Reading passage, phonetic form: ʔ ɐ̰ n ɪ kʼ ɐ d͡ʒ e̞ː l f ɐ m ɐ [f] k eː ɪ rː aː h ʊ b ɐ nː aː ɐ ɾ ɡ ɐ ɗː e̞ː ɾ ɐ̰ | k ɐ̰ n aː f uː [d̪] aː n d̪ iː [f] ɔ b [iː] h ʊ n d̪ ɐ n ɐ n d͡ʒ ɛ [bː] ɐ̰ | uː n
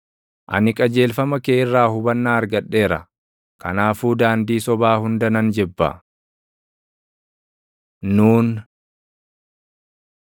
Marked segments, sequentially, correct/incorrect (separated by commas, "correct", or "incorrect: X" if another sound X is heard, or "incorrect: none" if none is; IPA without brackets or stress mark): incorrect: none, correct, incorrect: s, incorrect: aː, correct